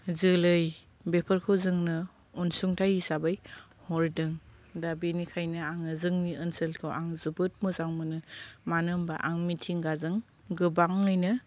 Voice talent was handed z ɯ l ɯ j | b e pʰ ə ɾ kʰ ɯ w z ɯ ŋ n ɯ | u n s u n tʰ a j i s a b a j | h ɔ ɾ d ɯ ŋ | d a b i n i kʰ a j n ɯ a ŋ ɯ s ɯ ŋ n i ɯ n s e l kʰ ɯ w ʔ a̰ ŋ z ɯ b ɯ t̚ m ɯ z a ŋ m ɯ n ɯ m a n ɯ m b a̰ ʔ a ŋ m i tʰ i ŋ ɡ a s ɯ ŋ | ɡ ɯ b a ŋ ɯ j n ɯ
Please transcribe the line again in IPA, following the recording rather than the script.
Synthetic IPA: z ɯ l ɯ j | b e pʰ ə ɾ kʰ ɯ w z ɯ ŋ n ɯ | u n s u ŋ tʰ a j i s a b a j | h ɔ ɾ d ɯ ŋ | d a b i n i kʰ a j n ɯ a ŋ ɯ z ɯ ŋ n i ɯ n s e l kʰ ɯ w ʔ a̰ ŋ z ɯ b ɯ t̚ m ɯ z a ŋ m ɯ n ɯ m a n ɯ m b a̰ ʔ a ŋ m i tʰ i ŋ ɡ a z ɯ ŋ | ɡ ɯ b a ŋ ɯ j n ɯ